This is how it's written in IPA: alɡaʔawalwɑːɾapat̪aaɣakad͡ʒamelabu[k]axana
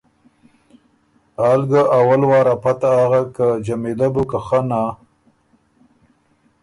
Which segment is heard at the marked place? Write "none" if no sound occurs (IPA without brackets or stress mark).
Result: k